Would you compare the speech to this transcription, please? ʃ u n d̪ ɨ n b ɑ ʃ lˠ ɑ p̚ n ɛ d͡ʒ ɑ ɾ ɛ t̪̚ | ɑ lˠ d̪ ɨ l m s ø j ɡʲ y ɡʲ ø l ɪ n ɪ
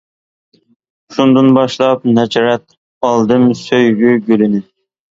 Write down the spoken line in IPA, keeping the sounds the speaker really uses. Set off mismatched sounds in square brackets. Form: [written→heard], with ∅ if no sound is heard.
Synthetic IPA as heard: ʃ u n d̪ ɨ n b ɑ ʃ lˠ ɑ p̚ n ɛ d͡ʒ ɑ ɾ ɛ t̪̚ | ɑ lˠ d̪ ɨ [l→∅] m s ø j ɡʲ y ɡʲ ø l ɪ n ɪ